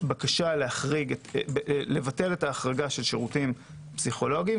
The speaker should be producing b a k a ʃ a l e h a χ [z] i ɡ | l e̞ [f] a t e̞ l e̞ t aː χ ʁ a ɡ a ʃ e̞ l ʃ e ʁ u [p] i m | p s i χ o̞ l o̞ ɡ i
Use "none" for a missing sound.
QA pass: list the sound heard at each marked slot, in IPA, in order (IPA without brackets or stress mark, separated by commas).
ʁ, v, t